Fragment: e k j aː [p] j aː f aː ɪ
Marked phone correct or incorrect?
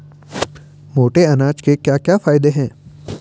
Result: incorrect